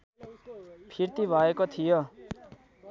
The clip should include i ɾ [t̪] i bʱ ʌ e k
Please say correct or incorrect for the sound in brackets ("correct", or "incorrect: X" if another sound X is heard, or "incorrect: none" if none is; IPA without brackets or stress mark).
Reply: correct